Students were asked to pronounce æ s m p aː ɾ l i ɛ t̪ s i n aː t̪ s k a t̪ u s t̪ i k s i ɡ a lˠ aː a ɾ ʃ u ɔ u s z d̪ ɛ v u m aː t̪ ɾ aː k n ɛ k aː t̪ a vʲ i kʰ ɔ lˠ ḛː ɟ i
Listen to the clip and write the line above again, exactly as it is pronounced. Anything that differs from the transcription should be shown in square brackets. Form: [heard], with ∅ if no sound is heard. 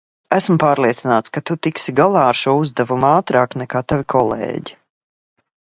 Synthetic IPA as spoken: æ s m p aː ɾ l i ɛ t̪ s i n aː t̪ s k a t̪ u [∅] t̪ i k s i ɡ a lˠ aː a ɾ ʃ u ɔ u [∅] z d̪ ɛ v u m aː t̪ ɾ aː k n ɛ k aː t̪ a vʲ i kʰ ɔ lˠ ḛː ɟ i